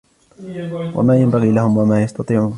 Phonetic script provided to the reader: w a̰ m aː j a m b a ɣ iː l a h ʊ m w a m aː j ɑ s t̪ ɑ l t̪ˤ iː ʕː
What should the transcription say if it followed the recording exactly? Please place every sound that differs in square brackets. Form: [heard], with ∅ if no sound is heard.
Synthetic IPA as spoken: w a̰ m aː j a m b a ɣ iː l a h ʊ m w a m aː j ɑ s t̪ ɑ [∅] t̪ˤ iː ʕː